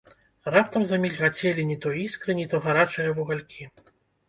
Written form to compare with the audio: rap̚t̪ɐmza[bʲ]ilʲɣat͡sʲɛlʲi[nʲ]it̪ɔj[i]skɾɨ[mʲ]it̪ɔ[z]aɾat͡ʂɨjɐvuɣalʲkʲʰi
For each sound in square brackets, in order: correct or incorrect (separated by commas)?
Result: incorrect, correct, correct, incorrect, incorrect